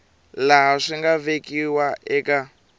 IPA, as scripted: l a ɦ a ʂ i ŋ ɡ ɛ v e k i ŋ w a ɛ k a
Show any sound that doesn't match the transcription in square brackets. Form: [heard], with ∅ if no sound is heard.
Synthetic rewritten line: l a ɦ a ʂ i ŋ ɡ [a] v e k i [∅] w a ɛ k a